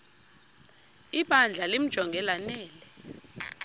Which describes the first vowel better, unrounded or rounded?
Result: unrounded